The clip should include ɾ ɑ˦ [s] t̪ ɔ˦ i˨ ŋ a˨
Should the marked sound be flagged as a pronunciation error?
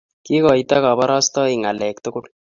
no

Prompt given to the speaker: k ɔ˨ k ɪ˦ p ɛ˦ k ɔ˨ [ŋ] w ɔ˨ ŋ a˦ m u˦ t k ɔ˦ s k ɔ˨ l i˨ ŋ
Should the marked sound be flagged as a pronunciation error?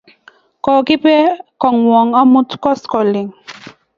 no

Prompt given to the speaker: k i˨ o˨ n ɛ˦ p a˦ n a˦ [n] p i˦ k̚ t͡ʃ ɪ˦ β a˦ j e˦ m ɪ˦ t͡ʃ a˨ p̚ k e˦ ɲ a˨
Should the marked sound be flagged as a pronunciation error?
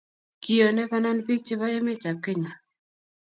no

